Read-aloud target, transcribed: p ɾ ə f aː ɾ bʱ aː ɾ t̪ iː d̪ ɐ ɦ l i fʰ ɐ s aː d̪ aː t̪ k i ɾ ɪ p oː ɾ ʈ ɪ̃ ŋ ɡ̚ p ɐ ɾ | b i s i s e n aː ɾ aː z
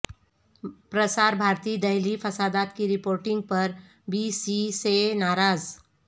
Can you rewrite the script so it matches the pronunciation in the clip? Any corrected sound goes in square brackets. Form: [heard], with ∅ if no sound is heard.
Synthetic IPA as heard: p ɾ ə [s] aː ɾ bʱ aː ɾ t̪ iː d̪ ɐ ɦ l i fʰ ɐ s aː d̪ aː t̪ k i ɾ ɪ p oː ɾ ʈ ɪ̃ ŋ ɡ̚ p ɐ ɾ | b i s i s e n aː ɾ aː z

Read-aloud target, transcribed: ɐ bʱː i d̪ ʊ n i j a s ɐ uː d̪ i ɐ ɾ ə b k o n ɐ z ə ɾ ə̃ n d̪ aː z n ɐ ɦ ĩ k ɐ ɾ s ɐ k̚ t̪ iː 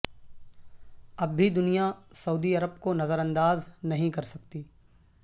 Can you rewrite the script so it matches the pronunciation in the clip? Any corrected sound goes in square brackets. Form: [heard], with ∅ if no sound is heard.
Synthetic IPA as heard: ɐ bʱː i d̪ ʊ n i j a s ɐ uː d̪ i ɐ ɾ ə b k o n ɐ z ə ɾ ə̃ n d̪ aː z n ɐ ɦ ĩ k ɐ ɾ s ɐ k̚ t̪ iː

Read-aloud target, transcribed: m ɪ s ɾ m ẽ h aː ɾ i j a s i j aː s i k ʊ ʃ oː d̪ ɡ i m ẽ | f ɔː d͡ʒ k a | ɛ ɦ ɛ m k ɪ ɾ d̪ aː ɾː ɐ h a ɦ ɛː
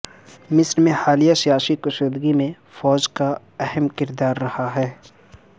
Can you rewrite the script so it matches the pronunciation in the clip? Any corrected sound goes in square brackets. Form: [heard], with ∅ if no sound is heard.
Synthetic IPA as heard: m ɪ s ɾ m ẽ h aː [l] i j a s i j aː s i k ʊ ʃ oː d̪ ɡ i m ẽ | f ɔː d͡ʒ k a | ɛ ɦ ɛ m k ɪ ɾ d̪ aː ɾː ɐ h a ɦ ɛː

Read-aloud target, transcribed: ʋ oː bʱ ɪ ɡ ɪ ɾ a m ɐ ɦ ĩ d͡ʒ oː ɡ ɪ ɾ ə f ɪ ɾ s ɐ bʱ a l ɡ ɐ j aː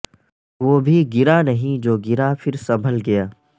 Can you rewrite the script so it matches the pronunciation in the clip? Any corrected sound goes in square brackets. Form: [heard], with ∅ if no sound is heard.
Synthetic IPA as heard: ʋ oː bʱ [i] ɡ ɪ ɾ a [n] ɐ ɦ ĩ d͡ʒ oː ɡ ɪ ɾ [a] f ɪ ɾ s ɐ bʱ [ə] l ɡ ɐ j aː

